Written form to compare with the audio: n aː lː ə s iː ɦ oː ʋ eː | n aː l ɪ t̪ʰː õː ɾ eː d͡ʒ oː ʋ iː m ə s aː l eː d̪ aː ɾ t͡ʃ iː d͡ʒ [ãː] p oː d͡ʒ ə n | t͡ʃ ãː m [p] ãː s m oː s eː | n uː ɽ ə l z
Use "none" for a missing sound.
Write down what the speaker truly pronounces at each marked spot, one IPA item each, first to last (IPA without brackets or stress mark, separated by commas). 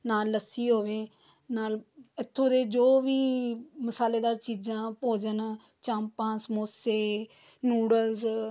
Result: ãː, p